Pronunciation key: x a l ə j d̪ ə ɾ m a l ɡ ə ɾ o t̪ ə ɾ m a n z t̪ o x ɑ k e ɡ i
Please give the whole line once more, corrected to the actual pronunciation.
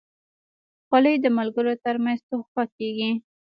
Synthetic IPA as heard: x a l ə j d̪ ə m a l ɡ ə ɾ o t̪ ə ɾ m a n z t̪ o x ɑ k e ɡ i